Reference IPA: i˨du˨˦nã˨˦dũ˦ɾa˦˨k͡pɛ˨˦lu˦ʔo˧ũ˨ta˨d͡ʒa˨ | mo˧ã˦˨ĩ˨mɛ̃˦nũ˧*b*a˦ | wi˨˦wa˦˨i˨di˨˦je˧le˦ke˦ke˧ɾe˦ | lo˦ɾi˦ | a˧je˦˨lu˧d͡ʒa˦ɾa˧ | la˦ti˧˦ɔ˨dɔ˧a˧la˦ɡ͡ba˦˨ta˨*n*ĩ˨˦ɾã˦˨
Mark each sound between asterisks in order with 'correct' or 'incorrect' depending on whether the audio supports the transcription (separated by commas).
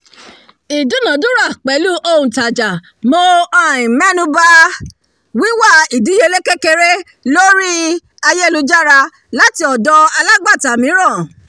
correct, incorrect